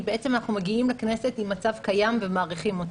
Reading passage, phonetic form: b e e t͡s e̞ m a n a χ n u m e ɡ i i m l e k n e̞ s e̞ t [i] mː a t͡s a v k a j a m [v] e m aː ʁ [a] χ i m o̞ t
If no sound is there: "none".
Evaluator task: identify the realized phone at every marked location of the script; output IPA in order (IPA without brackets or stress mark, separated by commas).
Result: i, v, i